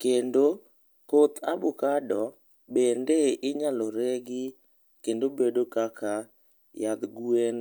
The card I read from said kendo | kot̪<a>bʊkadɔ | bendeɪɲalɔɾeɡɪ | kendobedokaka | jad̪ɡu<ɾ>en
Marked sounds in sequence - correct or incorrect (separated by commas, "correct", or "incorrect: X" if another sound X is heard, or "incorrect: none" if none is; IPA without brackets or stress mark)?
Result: correct, incorrect: none